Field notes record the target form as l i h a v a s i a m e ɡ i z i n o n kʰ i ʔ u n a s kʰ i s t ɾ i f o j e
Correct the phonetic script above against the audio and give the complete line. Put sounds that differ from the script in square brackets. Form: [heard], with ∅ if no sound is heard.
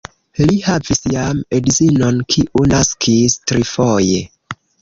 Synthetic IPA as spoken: l i h a v [i] s [j] a m e [d] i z i n o n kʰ i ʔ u n a s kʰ i s t ɾ i f o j e